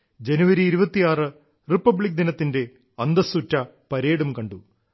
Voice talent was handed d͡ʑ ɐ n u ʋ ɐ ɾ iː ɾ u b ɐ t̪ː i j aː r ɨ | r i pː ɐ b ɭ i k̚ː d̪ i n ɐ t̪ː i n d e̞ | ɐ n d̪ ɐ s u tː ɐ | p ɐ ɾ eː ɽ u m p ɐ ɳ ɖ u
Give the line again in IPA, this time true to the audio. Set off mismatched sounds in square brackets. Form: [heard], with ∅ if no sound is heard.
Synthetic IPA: d͡ʑ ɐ n u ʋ ɐ ɾ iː ɾ u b ɐ t̪ː i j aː r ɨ | r i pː ɐ b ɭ i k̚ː d̪ i n ɐ t̪ː i n d e̞ | ɐ n d̪ ɐ s u tː ɐ | p ɐ ɾ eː ɽ u m [k] ɐ ɳ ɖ u